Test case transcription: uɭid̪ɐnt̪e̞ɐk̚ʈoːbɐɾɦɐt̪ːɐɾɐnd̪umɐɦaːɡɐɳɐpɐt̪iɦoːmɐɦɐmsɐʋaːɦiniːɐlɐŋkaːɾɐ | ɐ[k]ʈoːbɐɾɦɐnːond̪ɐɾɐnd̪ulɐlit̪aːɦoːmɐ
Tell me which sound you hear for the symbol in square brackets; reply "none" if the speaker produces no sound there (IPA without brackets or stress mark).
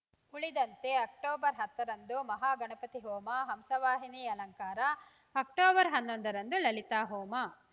k